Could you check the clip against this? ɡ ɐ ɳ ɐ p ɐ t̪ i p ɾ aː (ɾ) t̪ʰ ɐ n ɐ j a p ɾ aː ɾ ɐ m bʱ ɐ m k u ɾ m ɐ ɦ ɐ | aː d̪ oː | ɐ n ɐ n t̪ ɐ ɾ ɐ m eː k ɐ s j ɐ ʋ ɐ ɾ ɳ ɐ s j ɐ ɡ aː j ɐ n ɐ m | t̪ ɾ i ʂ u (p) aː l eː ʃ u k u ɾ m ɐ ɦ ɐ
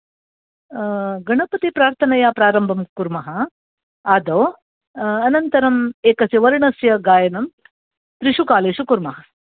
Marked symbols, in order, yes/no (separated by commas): yes, no